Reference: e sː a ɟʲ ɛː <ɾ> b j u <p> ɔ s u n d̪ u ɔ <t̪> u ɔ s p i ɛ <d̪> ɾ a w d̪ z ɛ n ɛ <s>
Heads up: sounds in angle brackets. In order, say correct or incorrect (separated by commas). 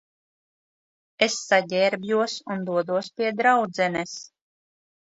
correct, incorrect, incorrect, correct, correct